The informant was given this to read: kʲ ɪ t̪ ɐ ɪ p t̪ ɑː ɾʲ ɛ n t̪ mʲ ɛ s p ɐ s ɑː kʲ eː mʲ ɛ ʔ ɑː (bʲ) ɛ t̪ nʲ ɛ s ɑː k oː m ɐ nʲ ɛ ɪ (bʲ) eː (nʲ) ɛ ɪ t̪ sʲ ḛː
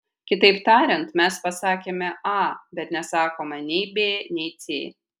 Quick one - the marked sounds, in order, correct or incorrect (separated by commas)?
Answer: correct, correct, correct